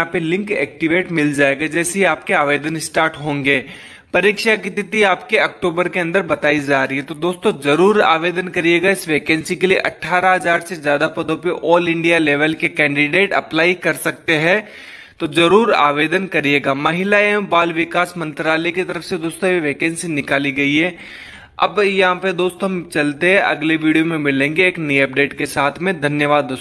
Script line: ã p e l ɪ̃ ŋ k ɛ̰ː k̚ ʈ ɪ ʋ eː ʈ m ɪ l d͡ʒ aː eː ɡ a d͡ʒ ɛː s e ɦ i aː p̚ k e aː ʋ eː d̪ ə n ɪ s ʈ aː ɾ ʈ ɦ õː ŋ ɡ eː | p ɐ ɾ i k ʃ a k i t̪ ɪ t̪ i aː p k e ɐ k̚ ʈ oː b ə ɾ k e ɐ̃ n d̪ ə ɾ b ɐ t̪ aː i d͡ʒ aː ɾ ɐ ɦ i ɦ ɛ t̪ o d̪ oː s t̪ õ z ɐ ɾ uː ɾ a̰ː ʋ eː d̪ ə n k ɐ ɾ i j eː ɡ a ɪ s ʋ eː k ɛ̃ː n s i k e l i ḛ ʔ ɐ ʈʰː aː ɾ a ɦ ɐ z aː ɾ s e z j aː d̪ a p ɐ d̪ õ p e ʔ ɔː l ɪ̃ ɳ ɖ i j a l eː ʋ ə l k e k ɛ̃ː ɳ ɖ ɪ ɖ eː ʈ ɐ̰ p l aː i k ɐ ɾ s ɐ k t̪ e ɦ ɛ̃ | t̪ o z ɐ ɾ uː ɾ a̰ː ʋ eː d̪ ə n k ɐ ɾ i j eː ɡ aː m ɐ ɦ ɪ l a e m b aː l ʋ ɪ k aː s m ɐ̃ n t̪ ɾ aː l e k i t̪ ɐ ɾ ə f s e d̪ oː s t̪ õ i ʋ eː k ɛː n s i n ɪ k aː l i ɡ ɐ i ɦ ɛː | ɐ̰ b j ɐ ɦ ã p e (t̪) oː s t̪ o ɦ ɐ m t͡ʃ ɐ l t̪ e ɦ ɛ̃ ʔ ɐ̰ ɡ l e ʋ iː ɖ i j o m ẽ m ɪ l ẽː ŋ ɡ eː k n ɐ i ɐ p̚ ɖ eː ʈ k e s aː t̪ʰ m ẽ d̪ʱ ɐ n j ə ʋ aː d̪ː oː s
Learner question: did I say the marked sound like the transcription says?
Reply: no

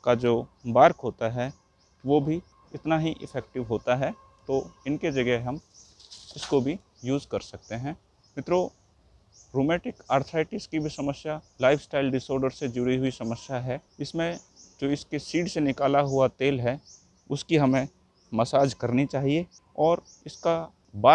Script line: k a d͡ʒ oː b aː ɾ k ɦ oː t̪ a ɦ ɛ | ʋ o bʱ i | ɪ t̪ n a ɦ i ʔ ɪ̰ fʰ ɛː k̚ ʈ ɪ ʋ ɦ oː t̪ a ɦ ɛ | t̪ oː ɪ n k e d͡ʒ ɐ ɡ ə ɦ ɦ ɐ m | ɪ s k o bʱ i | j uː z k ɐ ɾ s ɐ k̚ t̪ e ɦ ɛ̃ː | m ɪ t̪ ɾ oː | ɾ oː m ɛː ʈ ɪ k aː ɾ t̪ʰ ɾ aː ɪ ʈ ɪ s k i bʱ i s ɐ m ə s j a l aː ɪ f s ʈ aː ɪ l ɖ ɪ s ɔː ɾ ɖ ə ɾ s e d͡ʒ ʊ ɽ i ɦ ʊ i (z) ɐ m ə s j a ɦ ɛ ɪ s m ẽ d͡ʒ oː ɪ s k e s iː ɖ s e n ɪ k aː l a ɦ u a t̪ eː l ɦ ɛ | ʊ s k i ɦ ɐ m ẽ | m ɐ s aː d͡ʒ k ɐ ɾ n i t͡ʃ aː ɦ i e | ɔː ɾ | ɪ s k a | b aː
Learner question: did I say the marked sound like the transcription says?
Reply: no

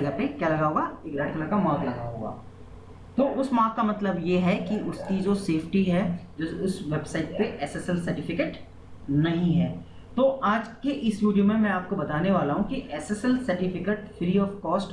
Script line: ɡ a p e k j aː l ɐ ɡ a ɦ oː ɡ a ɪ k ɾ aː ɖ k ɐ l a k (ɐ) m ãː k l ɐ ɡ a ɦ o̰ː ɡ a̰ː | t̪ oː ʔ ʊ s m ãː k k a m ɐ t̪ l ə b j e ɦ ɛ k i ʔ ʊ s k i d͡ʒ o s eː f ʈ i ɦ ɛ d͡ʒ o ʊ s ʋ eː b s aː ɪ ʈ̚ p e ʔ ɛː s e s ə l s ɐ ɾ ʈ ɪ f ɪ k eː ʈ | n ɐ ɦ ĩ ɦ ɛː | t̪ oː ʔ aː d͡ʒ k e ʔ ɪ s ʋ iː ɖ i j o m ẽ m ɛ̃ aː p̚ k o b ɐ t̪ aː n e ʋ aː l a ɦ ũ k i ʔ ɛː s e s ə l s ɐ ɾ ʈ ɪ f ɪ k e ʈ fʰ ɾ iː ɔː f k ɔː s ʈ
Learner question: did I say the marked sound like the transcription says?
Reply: no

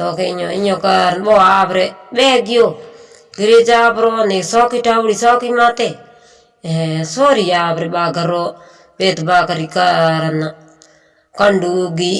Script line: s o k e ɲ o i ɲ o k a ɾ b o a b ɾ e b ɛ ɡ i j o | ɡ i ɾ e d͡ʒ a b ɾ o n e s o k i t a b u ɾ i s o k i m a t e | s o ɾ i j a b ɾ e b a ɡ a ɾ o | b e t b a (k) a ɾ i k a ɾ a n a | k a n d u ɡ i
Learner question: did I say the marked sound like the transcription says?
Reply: yes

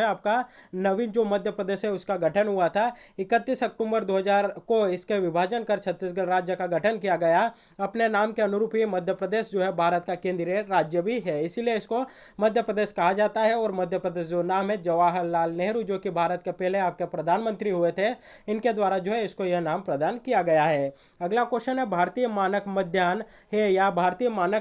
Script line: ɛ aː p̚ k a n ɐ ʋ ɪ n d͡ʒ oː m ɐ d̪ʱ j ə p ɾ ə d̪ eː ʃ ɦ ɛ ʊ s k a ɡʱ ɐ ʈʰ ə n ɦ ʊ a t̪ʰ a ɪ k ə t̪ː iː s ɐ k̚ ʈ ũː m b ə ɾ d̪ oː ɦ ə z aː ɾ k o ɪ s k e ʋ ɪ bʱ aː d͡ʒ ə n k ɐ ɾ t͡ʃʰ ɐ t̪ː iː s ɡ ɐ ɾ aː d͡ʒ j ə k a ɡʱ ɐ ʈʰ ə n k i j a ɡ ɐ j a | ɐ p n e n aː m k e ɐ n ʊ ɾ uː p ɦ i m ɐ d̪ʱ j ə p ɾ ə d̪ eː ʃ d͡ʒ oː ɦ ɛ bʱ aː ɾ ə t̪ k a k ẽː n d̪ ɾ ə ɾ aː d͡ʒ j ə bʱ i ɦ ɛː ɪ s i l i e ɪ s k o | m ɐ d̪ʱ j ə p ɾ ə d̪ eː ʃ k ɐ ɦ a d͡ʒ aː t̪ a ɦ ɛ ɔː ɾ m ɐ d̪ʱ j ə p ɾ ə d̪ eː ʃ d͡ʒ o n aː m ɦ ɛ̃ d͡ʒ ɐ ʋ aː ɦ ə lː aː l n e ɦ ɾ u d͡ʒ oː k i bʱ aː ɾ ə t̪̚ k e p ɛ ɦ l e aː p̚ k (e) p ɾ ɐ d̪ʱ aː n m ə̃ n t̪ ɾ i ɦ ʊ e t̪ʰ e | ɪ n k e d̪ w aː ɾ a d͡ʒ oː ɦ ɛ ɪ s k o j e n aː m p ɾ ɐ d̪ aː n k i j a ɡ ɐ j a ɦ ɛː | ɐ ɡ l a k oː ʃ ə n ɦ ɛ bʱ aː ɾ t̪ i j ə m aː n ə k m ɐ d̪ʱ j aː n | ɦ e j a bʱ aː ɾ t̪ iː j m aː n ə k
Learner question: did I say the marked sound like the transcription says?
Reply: yes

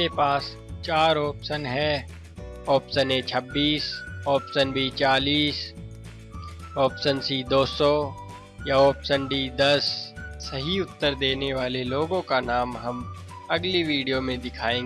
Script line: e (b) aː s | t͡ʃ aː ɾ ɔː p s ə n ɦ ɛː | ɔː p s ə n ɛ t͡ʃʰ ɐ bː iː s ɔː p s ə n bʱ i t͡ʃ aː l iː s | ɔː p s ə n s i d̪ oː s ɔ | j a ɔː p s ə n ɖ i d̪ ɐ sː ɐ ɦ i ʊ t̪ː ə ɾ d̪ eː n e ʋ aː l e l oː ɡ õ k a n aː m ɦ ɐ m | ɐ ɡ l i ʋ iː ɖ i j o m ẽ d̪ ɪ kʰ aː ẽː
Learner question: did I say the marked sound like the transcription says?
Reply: no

